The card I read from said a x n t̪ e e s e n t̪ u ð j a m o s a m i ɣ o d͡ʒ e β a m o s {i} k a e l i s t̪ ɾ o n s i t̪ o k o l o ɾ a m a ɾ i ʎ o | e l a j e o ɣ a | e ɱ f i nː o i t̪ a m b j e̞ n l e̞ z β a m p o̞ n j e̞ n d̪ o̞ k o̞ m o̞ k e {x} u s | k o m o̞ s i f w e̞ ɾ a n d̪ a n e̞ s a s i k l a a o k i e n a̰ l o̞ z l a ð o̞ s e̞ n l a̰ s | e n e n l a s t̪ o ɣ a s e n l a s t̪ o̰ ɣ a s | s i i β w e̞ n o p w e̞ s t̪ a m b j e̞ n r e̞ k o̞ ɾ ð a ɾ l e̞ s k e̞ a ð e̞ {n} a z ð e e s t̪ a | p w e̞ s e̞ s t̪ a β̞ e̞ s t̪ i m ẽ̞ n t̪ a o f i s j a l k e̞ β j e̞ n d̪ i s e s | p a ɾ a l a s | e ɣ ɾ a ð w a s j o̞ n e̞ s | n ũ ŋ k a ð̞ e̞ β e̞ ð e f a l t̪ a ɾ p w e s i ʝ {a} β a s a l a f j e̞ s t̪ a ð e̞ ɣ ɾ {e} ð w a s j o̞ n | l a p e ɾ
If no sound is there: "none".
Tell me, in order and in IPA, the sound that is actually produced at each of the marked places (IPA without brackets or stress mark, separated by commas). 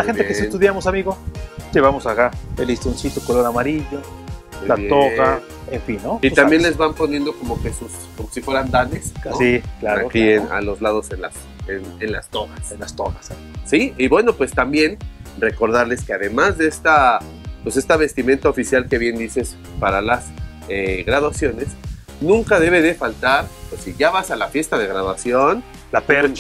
a, s, m, a, a